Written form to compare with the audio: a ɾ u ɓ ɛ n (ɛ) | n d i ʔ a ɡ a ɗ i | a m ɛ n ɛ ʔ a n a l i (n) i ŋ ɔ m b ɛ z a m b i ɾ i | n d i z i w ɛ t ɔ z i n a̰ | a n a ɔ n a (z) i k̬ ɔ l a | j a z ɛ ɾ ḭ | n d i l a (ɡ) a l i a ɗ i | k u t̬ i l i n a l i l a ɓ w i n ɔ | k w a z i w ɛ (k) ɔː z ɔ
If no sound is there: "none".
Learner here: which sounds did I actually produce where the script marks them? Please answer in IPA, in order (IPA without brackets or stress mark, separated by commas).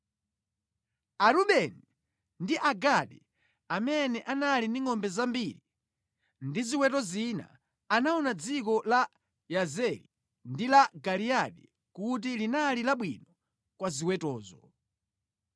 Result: i, n, d͡z, ɡ, t